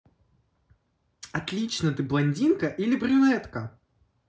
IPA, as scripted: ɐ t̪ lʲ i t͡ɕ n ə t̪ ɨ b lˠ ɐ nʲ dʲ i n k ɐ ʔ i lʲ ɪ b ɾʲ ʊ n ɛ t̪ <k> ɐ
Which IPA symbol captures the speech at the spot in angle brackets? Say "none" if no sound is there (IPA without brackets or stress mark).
k